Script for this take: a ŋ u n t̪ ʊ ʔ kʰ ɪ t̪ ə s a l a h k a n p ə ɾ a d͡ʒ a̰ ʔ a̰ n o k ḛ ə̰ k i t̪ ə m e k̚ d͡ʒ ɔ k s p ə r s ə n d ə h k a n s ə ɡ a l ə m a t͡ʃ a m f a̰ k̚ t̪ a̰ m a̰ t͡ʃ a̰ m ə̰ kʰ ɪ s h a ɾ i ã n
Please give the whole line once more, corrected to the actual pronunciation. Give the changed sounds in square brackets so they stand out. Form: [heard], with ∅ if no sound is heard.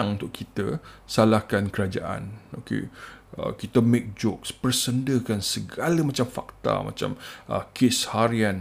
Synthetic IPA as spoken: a ŋ u n t̪ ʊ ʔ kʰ [i] t̪ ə s a l a h k a n [k] ə ɾ a d͡ʒ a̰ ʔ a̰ n o k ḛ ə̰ k i t̪ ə m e k̚ d͡ʒ ɔ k s p ə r s ə n d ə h k a n s ə ɡ a l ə m a t͡ʃ a m f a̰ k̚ t̪ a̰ m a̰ t͡ʃ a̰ m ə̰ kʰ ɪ s h a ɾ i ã n